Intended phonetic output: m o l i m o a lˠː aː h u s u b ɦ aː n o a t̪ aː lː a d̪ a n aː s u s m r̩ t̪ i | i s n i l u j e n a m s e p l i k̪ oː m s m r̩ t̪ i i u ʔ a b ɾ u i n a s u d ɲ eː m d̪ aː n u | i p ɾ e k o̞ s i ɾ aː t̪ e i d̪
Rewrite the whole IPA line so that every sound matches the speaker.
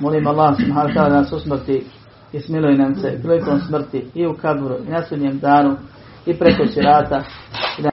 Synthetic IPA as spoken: m o l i m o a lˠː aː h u s u b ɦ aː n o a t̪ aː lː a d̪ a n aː s u s m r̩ t̪ i | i s m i l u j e n a m s e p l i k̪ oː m s m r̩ t̪ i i u k a b ɾ u i n a s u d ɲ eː m d̪ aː n u | i p ɾ e k o̞ s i ɾ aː t̪ a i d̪